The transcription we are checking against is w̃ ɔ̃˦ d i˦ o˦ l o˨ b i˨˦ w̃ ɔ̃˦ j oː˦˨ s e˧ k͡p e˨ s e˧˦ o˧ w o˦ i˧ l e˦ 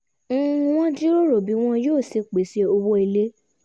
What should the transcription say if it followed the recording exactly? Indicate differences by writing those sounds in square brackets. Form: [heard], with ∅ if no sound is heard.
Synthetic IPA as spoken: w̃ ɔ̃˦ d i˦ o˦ [ɾ] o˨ b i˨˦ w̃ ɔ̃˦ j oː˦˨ s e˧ k͡p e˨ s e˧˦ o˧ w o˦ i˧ l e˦